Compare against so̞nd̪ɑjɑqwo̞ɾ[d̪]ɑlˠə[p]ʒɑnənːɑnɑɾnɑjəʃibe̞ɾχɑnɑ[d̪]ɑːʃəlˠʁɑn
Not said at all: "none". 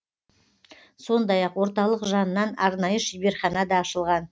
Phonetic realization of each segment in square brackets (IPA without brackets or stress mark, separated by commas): t̪, q, d̪